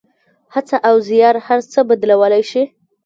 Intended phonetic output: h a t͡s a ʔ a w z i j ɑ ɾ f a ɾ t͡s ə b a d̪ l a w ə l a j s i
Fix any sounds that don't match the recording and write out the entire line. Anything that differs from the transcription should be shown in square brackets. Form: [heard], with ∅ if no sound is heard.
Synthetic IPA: h a t͡s a ʔ a w z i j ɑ ɾ [h] a ɾ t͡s ə b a d̪ l a w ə l a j [ʃ] i